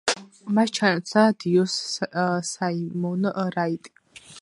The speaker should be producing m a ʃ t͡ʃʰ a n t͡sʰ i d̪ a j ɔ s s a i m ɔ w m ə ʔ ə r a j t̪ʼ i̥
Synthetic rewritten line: m a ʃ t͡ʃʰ a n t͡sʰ a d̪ i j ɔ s s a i m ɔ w n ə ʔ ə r a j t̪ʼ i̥